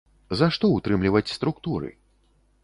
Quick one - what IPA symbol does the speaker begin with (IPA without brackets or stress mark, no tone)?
z